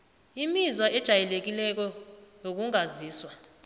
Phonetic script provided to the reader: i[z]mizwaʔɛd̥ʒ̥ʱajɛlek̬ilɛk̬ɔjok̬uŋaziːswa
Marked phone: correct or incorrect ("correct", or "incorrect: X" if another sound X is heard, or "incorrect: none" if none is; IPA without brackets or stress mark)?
incorrect: none